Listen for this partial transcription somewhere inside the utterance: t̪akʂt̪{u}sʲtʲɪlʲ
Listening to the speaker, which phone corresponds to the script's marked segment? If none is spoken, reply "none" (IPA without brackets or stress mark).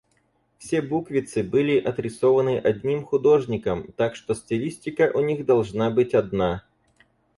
o